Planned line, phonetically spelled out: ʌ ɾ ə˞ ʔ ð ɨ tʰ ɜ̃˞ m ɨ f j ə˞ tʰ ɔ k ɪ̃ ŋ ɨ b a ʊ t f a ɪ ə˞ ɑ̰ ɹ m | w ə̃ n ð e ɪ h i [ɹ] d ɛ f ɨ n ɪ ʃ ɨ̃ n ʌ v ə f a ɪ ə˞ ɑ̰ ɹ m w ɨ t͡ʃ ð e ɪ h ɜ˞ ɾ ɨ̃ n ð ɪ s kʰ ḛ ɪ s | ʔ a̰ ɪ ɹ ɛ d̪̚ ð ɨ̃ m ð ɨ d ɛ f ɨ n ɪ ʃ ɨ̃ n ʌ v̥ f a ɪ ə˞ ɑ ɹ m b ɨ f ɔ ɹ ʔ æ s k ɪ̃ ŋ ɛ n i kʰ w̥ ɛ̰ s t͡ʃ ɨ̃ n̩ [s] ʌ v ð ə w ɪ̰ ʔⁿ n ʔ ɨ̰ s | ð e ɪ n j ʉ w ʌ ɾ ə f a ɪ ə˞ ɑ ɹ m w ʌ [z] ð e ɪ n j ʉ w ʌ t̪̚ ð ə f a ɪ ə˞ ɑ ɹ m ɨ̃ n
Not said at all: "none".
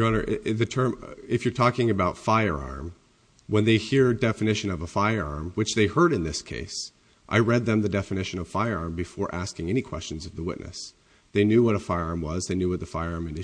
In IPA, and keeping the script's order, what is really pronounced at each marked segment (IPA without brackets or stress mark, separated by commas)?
ɹ, z, z